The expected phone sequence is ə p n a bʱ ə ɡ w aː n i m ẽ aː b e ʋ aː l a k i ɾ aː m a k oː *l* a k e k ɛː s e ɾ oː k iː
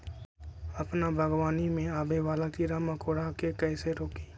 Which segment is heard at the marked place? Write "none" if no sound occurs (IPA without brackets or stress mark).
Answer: ɽ